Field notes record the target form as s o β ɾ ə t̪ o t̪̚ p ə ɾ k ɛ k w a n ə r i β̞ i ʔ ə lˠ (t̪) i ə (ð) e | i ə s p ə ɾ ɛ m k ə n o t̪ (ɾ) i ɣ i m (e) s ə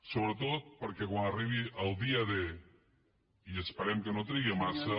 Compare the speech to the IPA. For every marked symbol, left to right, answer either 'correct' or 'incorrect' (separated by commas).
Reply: incorrect, correct, correct, incorrect